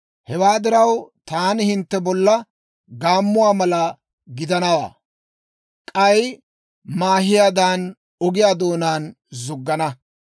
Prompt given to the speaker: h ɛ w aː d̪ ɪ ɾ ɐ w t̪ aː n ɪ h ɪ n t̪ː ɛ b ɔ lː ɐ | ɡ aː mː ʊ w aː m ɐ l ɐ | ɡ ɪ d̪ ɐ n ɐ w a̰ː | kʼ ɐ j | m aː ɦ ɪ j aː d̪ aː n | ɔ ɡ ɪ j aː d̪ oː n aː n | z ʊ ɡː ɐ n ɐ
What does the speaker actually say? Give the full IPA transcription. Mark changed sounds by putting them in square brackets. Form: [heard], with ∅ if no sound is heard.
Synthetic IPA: h ɛ w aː d̪ ɪ ɾ ɐ w t̪ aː n ɪ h ɪ n t̪ː ɛ b ɔ lː ɐ | ɡ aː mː ʊ w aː m ɐ l ɐ | ɡ ɪ d̪ ɐ n ɐ w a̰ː | kʼ ɐ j | m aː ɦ ɪ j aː d̪ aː n | ɔ ɡ ɪ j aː d̪ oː n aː n | z ʊ ɡː ɐ n ɐ